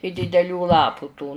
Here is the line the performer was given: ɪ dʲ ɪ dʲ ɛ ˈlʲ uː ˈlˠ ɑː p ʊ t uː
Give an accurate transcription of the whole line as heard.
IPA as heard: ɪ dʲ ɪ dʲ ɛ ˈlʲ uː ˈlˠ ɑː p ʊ t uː